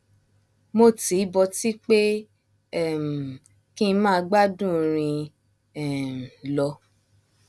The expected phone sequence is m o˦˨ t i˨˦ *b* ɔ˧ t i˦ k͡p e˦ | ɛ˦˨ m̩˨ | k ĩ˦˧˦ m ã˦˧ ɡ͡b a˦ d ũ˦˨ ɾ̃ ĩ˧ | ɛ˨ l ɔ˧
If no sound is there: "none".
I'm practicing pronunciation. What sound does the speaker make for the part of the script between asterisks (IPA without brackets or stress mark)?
b